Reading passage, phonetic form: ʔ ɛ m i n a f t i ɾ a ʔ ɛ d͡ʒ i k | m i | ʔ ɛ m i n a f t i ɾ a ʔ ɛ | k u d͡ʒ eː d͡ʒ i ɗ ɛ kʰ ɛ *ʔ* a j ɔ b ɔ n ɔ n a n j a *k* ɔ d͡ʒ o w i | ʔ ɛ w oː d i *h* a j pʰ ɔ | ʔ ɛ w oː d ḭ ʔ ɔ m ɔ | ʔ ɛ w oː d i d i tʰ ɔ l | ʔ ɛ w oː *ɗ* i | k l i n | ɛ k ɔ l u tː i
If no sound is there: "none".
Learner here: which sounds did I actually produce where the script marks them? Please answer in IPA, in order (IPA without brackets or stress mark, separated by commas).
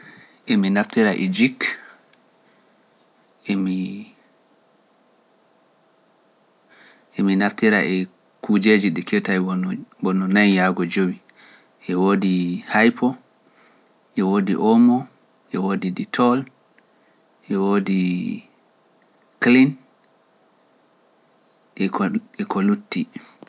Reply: t, ɡ, h, d